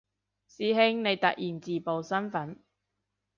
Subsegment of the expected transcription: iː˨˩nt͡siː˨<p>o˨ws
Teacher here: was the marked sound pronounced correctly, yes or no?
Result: yes